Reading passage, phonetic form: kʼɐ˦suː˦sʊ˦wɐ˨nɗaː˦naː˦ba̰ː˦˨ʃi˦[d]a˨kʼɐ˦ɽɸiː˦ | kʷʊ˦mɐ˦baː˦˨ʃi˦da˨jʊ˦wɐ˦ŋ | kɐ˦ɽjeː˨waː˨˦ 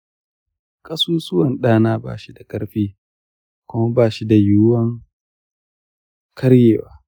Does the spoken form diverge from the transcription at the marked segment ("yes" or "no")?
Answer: no